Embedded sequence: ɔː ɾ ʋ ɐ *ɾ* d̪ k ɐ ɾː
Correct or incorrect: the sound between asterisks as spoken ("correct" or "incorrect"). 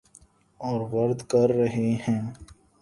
correct